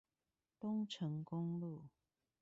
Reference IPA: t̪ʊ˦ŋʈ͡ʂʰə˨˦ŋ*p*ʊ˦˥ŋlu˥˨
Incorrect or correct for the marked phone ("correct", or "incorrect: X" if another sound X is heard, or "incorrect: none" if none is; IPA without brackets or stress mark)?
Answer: incorrect: k